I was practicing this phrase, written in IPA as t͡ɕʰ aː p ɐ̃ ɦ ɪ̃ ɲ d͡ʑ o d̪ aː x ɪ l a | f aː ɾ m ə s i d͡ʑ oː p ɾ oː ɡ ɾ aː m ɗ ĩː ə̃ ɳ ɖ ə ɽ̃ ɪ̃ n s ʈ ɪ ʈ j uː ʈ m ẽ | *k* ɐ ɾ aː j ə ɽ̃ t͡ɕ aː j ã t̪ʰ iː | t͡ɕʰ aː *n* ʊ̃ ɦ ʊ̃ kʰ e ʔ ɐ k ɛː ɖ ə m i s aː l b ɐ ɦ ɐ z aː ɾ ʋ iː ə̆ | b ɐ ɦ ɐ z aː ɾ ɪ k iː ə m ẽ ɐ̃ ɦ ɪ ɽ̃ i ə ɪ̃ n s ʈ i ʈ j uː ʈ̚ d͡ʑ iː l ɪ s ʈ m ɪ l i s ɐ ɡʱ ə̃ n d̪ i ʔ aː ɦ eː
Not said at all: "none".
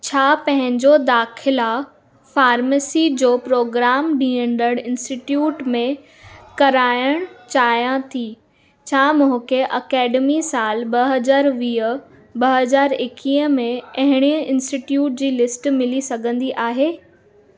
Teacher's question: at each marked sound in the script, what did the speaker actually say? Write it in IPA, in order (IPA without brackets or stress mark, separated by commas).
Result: k, m